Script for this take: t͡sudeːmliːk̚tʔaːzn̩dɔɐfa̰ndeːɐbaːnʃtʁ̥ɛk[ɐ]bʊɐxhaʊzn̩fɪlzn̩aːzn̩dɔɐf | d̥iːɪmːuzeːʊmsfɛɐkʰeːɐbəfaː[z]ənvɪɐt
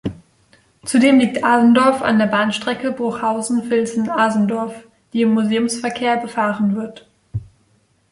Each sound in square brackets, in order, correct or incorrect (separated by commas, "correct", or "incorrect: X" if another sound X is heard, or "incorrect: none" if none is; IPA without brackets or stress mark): incorrect: ə, incorrect: ʁ